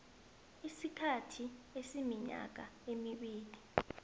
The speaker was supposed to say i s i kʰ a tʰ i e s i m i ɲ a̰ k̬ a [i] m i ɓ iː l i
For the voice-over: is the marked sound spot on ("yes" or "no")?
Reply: no